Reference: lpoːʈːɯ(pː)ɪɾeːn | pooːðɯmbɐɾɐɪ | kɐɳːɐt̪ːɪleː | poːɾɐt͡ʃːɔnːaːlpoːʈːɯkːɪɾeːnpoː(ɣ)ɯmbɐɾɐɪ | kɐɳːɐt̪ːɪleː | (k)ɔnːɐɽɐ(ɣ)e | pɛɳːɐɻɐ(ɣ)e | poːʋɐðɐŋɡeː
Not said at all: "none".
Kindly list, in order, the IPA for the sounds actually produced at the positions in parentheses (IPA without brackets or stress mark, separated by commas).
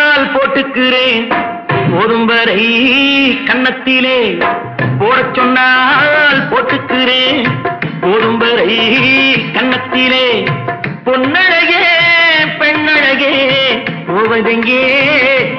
kː, ð, p, ɣ, ɣ